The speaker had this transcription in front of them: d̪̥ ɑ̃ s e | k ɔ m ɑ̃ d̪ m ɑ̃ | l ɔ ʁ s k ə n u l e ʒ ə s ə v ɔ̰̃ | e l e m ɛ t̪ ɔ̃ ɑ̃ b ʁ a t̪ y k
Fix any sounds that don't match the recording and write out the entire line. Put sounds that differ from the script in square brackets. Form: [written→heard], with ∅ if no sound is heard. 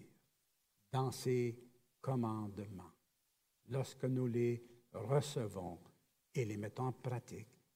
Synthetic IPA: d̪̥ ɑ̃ s e | k ɔ m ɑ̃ d̪ m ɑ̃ | l ɔ ʁ s k ə n u l e [ʒ→ʁ] ə s ə v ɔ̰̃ | e l e m ɛ t̪ ɔ̃ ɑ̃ [b→p] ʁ a t̪ [y→i] k